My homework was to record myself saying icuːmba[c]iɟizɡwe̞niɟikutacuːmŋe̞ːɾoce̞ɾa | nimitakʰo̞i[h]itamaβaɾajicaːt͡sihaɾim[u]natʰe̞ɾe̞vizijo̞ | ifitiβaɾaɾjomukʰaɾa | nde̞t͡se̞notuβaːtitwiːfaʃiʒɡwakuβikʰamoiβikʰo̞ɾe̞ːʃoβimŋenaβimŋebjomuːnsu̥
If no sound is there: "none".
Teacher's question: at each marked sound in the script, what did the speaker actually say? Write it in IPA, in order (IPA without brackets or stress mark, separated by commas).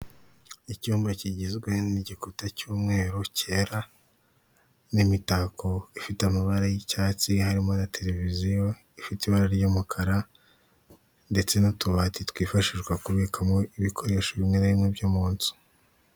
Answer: c, f, o